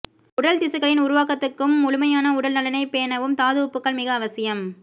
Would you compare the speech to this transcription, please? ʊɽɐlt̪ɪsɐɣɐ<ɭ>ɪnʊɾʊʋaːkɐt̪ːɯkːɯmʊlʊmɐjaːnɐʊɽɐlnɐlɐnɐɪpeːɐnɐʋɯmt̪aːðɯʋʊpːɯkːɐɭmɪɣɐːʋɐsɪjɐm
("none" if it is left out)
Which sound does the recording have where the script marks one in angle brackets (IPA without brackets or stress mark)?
ɭ